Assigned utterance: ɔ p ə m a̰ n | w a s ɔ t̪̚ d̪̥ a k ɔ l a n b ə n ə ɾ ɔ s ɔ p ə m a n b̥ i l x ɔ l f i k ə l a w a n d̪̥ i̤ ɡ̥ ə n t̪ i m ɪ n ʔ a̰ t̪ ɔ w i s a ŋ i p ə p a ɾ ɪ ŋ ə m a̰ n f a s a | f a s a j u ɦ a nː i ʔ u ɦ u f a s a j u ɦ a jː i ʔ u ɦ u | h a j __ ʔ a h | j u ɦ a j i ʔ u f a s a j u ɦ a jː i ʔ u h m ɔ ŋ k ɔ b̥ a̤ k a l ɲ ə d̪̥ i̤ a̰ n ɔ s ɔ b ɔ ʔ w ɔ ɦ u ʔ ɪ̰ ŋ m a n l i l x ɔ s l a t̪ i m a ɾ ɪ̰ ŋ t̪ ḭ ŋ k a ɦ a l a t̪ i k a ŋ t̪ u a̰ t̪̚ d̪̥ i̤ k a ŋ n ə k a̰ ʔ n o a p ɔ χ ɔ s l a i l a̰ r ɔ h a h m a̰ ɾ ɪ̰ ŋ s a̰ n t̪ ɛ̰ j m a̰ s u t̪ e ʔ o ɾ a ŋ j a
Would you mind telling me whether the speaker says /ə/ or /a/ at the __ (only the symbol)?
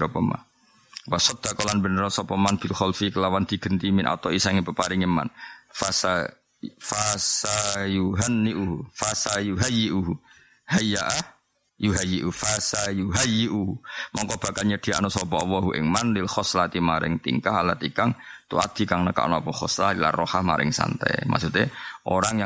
a